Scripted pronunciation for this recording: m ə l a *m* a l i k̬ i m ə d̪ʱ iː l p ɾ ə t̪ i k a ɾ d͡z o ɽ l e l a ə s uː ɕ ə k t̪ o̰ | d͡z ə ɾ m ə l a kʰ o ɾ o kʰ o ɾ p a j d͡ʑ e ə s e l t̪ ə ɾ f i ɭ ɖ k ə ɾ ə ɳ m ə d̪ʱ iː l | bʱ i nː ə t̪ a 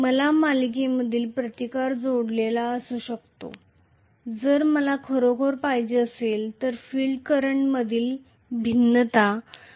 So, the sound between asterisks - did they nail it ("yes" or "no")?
yes